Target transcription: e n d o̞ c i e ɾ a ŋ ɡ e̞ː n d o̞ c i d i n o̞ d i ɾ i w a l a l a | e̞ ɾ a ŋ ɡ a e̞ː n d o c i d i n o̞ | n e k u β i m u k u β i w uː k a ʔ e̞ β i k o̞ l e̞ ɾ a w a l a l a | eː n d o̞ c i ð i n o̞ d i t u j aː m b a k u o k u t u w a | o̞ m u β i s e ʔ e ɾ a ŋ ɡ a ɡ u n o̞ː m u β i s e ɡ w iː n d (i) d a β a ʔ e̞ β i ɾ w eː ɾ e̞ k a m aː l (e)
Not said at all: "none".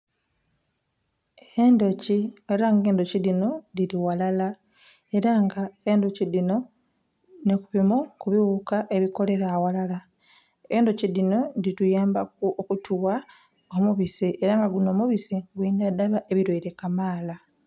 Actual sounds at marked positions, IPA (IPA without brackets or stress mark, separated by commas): a, a